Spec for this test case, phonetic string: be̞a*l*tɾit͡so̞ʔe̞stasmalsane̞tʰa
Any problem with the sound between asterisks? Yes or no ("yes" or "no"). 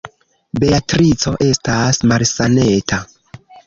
yes